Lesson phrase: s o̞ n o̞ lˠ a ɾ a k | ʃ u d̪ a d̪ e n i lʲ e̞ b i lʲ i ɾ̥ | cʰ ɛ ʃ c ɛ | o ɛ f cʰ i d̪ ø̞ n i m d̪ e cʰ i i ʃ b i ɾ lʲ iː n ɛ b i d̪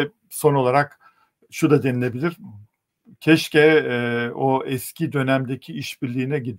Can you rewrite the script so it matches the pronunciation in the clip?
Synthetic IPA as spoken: s o̞ n o̞ lˠ a ɾ a k | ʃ u d̪ a d̪ e n i lʲ e̞ b i lʲ i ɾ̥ | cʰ ɛ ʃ c ɛ | o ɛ s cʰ i d̪ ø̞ n æ m d̪ e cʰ i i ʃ b i ɾ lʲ iː n ɛ ɟ i d̪